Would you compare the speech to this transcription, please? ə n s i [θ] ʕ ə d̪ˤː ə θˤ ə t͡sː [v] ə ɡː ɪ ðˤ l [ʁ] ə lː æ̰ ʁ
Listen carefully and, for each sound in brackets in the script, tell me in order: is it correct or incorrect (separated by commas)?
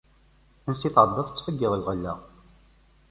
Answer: correct, incorrect, correct